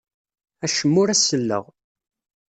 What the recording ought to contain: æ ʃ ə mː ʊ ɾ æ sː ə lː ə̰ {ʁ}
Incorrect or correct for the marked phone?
correct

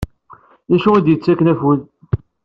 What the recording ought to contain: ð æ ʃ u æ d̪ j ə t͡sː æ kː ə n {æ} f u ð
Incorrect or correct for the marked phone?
correct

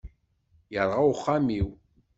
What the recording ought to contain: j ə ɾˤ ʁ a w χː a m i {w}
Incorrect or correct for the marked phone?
correct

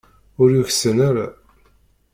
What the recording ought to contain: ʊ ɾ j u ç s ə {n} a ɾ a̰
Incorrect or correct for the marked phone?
correct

